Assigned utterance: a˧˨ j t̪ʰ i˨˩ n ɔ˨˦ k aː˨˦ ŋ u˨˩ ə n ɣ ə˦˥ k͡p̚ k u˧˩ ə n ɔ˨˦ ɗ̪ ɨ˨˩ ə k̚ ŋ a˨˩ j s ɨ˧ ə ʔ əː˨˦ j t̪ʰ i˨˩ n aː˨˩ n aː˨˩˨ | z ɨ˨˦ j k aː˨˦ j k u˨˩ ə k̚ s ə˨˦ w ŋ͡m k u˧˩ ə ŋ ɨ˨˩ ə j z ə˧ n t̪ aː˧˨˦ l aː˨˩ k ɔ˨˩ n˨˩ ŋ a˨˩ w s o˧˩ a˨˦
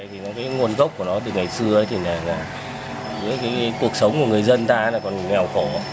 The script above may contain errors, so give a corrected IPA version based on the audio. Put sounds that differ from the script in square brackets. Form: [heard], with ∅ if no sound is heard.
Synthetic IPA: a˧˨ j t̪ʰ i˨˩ n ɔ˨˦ k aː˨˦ ŋ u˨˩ ə n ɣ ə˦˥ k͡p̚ k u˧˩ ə n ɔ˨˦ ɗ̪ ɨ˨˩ ə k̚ ŋ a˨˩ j s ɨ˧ ə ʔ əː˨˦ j t̪ʰ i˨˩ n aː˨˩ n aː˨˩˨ | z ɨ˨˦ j k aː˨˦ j k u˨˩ ə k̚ s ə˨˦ w ŋ͡m k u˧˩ ə ŋ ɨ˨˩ ə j z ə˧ n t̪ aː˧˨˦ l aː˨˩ k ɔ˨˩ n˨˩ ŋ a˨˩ w [x] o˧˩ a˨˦